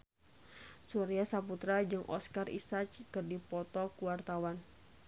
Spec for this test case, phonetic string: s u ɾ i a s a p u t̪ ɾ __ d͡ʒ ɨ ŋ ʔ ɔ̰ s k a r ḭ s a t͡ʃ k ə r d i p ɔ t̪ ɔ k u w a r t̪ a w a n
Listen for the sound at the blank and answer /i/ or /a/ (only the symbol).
a